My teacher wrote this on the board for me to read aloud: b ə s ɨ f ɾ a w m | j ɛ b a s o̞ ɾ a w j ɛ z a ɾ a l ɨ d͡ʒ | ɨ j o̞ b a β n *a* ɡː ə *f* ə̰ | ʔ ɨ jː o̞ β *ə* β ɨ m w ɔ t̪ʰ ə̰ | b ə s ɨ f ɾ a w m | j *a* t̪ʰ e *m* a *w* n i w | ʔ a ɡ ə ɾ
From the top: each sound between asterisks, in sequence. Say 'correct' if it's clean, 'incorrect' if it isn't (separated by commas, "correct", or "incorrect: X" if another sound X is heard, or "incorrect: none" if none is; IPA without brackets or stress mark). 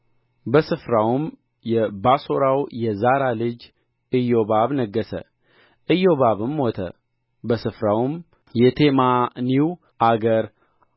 incorrect: ə, incorrect: s, incorrect: a, incorrect: ɛ, correct, incorrect: none